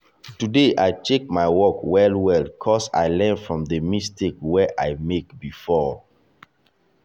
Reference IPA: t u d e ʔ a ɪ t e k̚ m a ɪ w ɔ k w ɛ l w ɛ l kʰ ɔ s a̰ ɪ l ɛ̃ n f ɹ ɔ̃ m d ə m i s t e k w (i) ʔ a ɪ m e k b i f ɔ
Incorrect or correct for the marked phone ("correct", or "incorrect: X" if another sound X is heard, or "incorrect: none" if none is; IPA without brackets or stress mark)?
incorrect: ɛ